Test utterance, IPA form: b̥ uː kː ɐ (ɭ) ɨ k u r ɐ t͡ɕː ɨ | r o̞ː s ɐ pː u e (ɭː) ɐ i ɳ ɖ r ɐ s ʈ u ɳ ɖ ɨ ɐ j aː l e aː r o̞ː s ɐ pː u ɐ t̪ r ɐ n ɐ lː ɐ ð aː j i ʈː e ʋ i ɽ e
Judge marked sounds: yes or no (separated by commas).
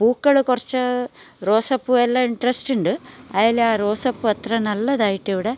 yes, no